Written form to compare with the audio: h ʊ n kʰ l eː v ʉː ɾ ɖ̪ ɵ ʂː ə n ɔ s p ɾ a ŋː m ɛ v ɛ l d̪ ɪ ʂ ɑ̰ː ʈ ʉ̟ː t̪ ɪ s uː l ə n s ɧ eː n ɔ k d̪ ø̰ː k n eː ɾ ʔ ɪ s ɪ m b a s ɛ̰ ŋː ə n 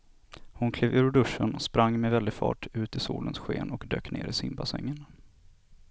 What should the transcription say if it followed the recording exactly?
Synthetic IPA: h ʊ n kʰ l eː v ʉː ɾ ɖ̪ ɵ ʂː ə n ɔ s p ɾ a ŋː m ɛ v ɛ l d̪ ɪ f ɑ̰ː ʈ ʉ̟ː t̪ ɪ s uː l ə n s ɧ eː n ɔ k d̪ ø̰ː k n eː ɾ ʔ ɪ s ɪ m b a s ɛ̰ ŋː ə n